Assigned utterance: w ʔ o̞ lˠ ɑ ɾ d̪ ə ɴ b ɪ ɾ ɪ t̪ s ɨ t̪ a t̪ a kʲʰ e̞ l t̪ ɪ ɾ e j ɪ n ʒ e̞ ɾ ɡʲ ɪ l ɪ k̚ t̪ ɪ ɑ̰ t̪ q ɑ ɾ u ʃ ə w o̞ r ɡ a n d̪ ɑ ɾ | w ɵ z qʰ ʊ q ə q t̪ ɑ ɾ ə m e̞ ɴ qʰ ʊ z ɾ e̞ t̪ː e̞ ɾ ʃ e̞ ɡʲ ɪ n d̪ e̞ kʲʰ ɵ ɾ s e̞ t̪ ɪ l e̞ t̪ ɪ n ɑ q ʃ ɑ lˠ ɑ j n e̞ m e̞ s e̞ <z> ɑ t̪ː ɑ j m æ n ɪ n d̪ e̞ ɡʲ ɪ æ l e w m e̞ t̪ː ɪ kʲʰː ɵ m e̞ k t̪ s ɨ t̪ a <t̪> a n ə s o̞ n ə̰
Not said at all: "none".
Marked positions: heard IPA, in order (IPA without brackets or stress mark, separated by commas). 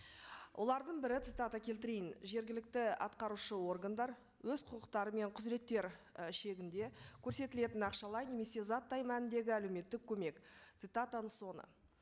z, t̪